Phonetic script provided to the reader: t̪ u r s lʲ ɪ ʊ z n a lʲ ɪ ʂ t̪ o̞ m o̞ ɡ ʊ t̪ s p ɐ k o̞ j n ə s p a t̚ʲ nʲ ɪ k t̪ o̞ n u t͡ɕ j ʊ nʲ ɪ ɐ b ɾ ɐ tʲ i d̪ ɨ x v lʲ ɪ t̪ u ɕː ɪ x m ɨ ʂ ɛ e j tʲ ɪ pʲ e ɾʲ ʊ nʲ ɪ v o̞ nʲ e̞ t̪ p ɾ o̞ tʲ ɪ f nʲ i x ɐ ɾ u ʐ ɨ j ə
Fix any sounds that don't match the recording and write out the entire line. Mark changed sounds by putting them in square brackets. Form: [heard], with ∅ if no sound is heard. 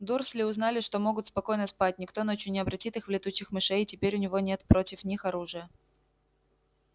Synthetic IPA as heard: [d̪] u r s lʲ ɪ ʊ z n a lʲ ɪ ʂ t̪ o̞ m o̞ ɡ ʊ t̪ s p ɐ k o̞ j n ə s p a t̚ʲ nʲ ɪ k t̪ o̞ n [o] t͡ɕ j ʊ nʲ ɪ ɐ b ɾ ɐ tʲ i [t̪] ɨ x v lʲ ɪ t̪ u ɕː ɪ x m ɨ ʂ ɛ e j tʲ ɪ pʲ e ɾʲ ʊ nʲ ɪ v o̞ nʲ e̞ t̪ p ɾ o̞ tʲ ɪ f nʲ i x ɐ ɾ u ʐ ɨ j ə